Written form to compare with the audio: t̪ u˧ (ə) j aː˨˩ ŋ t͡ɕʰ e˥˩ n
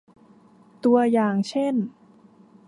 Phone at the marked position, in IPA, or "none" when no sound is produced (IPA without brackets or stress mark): ɐ